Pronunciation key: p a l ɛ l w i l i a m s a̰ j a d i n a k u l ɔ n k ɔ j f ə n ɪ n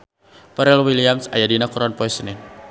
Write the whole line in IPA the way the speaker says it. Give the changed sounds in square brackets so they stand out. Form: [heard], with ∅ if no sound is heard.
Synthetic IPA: p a [ɾ] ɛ l w i l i a m s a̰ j a d i n a k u [ɾ] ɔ n [p] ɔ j [s] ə n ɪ n